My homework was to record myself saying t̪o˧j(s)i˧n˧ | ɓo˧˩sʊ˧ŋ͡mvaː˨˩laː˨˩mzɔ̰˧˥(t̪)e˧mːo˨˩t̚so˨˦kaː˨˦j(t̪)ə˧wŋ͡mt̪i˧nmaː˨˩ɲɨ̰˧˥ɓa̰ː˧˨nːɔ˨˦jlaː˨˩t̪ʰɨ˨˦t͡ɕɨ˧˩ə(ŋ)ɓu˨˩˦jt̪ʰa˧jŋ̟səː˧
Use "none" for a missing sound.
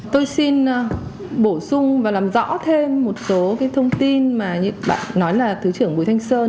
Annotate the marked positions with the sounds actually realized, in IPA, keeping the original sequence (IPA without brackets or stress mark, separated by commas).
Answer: s, t̪ʰ, t̪ʰ, ŋ